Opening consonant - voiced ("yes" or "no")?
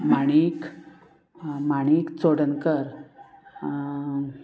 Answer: yes